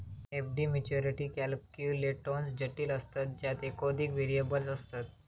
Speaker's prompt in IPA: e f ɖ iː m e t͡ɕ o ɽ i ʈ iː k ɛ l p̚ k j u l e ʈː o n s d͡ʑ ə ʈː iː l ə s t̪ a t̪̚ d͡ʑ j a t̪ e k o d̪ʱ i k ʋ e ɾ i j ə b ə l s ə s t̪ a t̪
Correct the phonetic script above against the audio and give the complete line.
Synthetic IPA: e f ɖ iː m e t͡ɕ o ɾ i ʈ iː k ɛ l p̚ k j u l e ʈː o n s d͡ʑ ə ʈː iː l ə s t̪ a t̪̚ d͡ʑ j a t̪ e k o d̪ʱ i k ʋ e ɾ i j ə b ə l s ə s t̪ a t̪

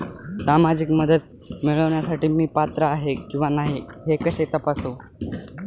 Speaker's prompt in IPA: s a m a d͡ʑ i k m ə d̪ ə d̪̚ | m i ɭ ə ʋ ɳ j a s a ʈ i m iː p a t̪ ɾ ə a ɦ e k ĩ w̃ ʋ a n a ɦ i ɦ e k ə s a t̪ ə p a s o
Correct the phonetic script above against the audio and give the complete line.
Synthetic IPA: s a m a d͡ʑ i k m ə d̪ ə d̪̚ | m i ɭ ə ʋ ɳ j a s a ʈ iː m iː p a t̪ ɾ ə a ɦ e k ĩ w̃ ʋ a n a ɦ i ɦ e k ə s e t̪ ə p a s o

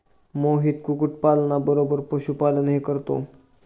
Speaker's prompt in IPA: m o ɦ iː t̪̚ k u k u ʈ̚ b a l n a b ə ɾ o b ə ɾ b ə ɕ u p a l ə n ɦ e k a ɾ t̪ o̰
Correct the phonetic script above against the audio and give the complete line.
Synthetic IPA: m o ɦ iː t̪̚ k u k u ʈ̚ p a l n a b ə ɾ o b ə ɾ p ə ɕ u p a l ə n ɦ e k ə ɾ t̪ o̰

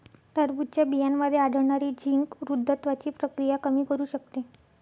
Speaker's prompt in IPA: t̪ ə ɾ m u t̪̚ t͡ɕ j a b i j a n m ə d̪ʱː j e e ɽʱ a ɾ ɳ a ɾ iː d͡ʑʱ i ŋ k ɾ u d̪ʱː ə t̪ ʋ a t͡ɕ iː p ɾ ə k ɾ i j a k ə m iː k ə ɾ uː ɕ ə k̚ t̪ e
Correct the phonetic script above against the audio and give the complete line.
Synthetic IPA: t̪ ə ɾ b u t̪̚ t͡ɕ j a b i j a n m ə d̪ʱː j e a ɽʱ ə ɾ ɳ a ɾ iː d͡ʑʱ i ŋ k ɾ u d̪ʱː ə t̪ ʋ a t͡ɕ iː p ɾ ə k ɾ i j a k ə m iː k ə ɾ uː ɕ ə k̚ t̪ e

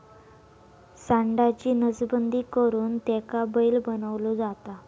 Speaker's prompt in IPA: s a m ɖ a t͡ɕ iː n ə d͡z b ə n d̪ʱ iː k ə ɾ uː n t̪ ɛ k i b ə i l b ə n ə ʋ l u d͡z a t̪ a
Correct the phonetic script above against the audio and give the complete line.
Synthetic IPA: s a ɳ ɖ a t͡ɕ iː n ə d͡z b ə n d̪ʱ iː k ə ɾ uː n t̪ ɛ k a b ə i l b ə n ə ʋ l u d͡z a t̪ a

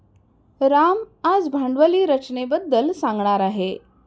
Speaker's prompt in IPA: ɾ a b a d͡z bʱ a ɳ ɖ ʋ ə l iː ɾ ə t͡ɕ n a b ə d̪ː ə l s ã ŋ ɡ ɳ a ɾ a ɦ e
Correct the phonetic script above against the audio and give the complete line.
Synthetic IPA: ɾ a m a d͡z bʱ a ɳ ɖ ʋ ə l iː ɾ ə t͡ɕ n e b ə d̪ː ə l s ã ŋ ɡ ɳ a ɾ a ɦ e

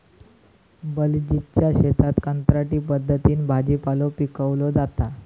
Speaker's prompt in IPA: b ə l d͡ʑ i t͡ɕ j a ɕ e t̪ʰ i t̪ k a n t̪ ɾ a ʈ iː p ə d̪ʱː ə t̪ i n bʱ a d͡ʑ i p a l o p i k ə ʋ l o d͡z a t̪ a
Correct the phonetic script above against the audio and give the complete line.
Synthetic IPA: b ə l d͡ʑ i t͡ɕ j a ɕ e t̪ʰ a t̪ k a n t̪ ɾ a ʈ iː p ə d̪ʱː ə t̪ iː n bʱ a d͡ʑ i p a l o p i k ə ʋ l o d͡z a t̪ a

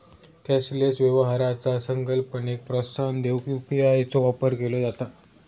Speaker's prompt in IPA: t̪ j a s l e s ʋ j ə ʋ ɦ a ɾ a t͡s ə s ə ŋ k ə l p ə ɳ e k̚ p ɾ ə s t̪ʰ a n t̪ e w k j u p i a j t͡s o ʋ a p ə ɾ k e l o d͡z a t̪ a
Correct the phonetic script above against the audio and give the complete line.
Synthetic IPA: t̪ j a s l e s ʋ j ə ʋ ɦ a ɾ a t͡s a s ə ŋ k ə l p ə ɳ e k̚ p ɾ ə s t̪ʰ a n d̪ e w k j u p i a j t͡s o ʋ a p ə ɾ k e l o d͡z a t̪ a

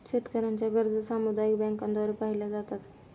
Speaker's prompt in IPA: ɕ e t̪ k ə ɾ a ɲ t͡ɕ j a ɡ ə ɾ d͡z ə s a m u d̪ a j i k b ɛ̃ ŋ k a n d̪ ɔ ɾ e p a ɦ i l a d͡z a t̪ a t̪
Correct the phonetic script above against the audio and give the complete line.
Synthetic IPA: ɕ e t̪ k ə ɾ a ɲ t͡ɕ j a ɡ ə ɾ d͡z ə s a m u d̪ a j i k b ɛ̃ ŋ k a n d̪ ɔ ɾ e p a ɦ i l a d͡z a t̪ a t̪

